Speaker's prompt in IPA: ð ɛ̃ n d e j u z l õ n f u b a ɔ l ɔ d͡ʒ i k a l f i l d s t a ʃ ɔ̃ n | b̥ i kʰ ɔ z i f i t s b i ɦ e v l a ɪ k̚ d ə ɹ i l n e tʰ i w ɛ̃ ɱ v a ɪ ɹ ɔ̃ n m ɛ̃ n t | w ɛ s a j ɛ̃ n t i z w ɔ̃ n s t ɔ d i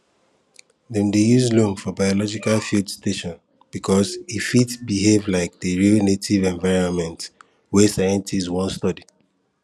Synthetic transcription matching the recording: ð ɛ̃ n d e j u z l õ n f ɔ b a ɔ l ɔ d͡ʒ i k a l f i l d s t e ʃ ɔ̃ n | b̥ i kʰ ɔ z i f i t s b i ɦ e v l a ɪ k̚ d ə ɹ i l n e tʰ i v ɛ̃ ɱ v a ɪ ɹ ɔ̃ n m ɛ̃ n t | w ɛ s a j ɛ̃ n t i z w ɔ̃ n s t ɔ d i